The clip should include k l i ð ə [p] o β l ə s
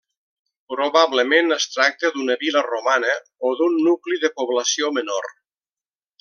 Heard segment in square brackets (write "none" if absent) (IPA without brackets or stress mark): p